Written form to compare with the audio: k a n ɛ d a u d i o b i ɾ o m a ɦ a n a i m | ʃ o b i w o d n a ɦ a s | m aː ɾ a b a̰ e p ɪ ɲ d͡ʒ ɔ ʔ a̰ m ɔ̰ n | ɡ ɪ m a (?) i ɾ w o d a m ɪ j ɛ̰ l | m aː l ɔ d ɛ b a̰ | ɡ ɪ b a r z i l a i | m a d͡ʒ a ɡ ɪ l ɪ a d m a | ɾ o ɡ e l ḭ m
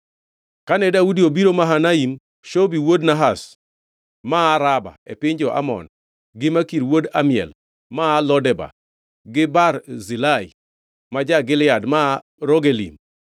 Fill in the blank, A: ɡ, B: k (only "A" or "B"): B